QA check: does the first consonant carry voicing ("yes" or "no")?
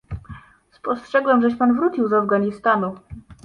no